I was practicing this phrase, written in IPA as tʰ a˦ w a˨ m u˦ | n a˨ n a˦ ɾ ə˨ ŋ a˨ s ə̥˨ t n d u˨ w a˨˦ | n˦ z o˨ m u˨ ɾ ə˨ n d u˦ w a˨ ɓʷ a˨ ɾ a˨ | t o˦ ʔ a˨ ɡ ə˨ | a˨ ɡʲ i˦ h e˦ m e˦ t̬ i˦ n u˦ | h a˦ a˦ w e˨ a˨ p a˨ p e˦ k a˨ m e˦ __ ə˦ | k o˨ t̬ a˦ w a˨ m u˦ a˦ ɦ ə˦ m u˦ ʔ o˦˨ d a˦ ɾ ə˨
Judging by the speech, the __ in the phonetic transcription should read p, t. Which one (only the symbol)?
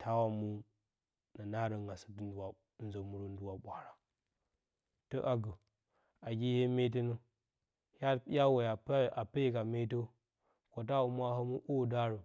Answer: t